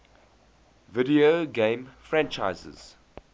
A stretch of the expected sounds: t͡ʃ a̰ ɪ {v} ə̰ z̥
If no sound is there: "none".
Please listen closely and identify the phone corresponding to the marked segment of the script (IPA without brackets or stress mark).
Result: z